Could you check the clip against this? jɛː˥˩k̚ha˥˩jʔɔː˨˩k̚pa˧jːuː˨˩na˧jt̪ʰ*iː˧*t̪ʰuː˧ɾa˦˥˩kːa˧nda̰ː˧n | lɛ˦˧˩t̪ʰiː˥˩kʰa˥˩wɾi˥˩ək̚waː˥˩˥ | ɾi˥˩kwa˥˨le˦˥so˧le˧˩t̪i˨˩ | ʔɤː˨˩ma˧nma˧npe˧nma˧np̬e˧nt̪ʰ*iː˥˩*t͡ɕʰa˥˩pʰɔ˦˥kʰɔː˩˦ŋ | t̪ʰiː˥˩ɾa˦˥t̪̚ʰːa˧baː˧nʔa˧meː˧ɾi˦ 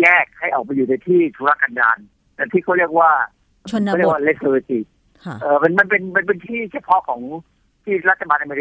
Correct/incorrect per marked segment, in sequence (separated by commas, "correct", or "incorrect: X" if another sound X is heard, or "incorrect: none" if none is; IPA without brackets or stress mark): incorrect: iː˥˩, correct